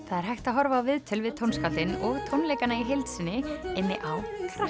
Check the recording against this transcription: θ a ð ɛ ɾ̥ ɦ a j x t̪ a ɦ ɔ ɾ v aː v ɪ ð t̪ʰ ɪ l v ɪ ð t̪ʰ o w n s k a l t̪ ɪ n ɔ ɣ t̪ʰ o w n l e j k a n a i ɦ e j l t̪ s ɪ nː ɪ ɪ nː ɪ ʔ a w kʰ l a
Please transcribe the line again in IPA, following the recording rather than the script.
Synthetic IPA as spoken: θ a ð ɛ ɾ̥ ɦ a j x t̪ a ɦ ɔ ɾ v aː v ɪ ð t̪ʰ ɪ l v ɪ ð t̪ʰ o w n s k a l t̪ ɪ n ɔ ɣ t̪ʰ o w n l e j k a n a i ɦ e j l t̪ s ɪ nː ɪ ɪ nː ɪ ʔ a w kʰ ɾ a